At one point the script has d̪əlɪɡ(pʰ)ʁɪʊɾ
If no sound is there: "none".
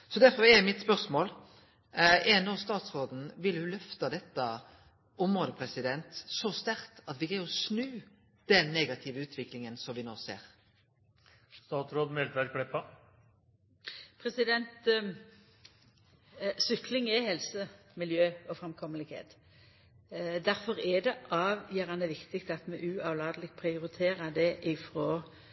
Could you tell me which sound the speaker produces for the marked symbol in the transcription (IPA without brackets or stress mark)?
pʰ